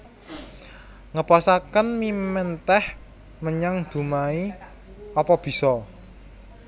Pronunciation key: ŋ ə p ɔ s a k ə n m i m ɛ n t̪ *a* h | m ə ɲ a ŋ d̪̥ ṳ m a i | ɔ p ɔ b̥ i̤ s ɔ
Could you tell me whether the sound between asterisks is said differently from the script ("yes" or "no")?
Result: yes